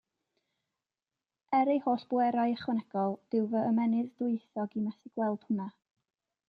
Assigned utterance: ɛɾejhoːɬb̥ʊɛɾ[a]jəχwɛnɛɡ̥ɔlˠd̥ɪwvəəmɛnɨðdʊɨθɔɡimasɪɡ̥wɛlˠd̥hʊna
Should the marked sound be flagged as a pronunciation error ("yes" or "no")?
no